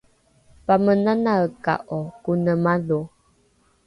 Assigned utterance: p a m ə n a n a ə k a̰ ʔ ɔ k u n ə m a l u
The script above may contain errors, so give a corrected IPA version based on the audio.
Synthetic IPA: p a m ə n a n a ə k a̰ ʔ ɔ k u n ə m a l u